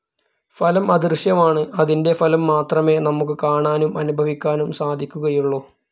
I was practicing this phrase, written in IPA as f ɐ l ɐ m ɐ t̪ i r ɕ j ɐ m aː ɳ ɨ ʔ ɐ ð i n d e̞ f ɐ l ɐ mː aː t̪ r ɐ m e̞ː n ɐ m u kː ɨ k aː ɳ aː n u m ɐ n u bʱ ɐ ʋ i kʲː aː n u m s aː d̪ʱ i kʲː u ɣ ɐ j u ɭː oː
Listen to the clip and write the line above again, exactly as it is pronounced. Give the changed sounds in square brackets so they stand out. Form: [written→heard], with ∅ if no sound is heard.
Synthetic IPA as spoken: f ɐ l ɐ m ɐ [t̪→d̪] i r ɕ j ɐ m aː ɳ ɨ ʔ ɐ ð i n d e̞ f ɐ l ɐ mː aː t̪ r ɐ m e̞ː n ɐ m u kː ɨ k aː ɳ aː n u m ɐ n u bʱ ɐ ʋ i kʲː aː n u m s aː d̪ʱ i kʲː u ɣ ɐ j u ɭː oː